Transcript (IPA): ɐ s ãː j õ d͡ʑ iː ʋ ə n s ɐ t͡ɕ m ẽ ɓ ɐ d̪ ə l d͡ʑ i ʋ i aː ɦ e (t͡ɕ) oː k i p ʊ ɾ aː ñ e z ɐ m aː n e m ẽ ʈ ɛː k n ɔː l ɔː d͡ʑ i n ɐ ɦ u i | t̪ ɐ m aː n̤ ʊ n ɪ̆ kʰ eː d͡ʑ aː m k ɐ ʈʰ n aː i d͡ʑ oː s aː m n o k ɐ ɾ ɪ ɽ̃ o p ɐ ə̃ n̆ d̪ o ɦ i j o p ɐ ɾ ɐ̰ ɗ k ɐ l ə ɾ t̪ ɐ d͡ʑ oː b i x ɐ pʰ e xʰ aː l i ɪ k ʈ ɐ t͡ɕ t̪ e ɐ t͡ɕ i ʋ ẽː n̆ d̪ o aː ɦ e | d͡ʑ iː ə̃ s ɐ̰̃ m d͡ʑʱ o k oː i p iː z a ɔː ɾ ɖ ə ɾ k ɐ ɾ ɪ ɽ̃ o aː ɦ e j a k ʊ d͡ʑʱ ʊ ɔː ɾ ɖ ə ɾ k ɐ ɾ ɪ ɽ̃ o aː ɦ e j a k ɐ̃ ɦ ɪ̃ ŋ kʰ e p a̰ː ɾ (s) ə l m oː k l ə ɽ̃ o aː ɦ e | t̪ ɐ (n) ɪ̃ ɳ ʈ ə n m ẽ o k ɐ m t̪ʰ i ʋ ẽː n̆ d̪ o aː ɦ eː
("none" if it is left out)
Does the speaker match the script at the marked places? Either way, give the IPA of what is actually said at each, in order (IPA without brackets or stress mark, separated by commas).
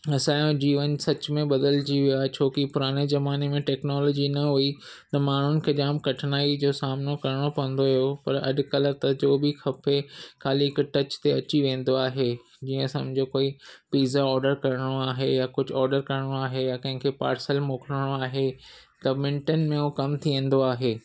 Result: t͡ɕʰ, s, m